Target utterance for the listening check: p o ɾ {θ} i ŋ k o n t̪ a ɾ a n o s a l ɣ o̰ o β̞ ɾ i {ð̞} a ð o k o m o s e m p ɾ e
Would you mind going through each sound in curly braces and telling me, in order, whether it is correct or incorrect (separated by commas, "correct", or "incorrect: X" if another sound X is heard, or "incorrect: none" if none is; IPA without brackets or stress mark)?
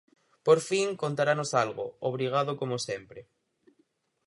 incorrect: f, incorrect: ɣ̞